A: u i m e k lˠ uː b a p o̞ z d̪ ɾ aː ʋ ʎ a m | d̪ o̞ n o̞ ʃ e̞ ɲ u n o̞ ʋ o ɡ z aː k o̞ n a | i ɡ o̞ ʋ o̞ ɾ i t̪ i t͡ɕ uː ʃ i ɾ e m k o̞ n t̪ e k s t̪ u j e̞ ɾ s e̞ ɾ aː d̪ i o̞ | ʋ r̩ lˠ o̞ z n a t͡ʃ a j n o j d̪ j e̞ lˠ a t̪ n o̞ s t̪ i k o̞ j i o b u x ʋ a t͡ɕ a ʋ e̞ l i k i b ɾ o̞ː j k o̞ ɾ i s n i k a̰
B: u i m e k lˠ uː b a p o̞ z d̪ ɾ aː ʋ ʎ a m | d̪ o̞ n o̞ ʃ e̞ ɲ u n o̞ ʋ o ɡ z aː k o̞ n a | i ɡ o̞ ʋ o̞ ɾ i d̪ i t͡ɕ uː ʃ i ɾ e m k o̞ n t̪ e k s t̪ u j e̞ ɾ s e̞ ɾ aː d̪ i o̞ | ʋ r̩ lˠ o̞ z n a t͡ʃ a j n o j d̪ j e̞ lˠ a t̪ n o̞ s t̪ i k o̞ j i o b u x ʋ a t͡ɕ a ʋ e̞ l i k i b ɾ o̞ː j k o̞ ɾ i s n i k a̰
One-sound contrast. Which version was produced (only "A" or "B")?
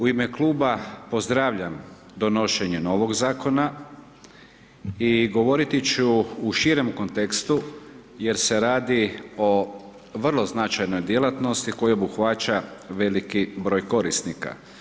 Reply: A